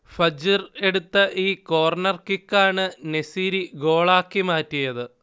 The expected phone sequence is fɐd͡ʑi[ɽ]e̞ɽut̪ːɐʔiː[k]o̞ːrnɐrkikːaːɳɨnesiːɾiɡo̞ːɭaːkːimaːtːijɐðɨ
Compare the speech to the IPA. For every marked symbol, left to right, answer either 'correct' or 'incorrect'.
incorrect: r, correct

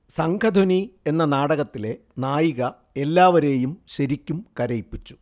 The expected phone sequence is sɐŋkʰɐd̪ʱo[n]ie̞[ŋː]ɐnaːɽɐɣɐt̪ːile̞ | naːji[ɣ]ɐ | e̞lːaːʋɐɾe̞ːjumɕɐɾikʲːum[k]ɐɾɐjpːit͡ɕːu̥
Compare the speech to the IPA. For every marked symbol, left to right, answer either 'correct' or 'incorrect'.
correct, incorrect: nː, correct, correct

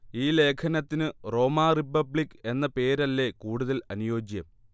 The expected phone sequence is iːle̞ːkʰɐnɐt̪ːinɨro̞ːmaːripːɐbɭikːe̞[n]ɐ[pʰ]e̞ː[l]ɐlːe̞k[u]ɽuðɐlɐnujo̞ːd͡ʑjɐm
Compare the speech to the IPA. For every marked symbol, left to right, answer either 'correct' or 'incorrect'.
incorrect: nː, incorrect: p, incorrect: ɾ, incorrect: uː

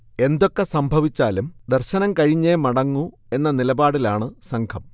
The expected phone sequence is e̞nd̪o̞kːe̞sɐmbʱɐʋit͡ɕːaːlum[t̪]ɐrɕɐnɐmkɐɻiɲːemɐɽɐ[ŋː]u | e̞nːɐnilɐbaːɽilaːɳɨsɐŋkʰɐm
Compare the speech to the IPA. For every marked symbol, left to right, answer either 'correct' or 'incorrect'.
incorrect: d̪, correct

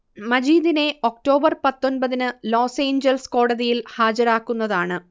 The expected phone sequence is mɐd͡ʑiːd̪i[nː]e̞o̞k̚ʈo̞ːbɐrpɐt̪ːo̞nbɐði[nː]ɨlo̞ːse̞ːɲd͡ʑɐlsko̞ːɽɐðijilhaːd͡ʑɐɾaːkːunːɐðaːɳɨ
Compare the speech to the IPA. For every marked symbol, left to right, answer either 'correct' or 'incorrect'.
incorrect: n, incorrect: n

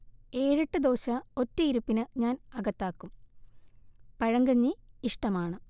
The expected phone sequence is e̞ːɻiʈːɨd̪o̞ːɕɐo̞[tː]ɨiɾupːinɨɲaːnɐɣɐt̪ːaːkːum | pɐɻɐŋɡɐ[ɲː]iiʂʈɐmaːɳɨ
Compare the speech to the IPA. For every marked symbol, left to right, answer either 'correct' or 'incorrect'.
correct, correct

